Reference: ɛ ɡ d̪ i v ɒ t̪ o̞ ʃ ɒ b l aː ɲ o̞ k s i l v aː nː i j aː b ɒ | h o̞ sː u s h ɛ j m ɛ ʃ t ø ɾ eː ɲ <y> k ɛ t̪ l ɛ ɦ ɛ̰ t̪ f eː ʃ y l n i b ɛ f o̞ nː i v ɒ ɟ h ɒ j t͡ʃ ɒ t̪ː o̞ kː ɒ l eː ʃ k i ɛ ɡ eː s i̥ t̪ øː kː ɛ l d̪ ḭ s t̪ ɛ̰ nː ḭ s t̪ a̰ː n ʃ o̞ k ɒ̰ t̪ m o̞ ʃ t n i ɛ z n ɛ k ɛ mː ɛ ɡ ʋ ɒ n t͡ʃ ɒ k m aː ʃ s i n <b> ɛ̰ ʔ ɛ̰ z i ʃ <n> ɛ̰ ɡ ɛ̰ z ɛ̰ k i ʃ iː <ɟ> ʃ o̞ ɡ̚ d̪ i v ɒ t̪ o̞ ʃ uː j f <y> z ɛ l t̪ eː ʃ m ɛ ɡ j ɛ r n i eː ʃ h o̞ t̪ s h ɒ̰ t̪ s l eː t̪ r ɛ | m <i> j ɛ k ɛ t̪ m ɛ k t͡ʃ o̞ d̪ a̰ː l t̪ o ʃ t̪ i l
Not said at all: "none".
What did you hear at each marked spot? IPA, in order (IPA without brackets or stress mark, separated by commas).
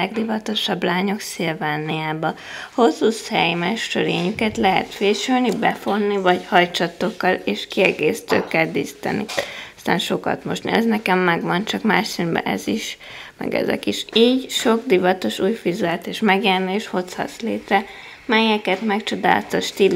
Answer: y, b, m, ɟ, i, ɛ